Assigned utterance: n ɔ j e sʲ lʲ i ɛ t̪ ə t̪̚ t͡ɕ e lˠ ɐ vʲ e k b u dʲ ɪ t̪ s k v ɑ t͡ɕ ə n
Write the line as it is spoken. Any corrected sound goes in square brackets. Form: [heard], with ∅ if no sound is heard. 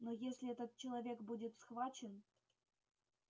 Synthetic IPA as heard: n [o] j e sʲ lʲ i ɛ t̪ ə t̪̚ t͡ɕ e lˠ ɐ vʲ e k b u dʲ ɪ t̪ s [x] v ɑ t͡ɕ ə n